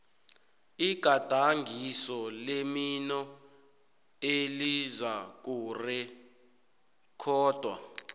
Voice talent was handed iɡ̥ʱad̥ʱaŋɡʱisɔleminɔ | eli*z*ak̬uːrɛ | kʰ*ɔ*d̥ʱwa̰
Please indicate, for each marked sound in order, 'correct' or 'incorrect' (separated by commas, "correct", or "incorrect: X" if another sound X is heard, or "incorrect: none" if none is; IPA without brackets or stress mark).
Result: correct, incorrect: ɔː